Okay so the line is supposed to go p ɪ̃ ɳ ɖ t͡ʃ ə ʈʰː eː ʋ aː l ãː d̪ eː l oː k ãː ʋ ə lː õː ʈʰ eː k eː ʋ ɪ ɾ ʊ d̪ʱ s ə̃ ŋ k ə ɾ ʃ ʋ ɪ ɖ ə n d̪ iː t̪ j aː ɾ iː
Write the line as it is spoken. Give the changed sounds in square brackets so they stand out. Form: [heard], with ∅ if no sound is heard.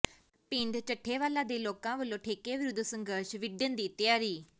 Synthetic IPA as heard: p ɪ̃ ɳ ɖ t͡ʃ ə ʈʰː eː ʋ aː l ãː d̪ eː l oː k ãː ʋ ə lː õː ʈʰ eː k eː ʋ ɪ ɾ ʊ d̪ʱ s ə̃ ŋ [ɡ] ə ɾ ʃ ʋ ɪ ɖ ə n d̪ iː t̪ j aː ɾ iː